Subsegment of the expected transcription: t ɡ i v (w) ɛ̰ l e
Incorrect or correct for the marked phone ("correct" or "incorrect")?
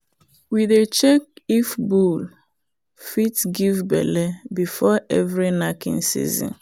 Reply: incorrect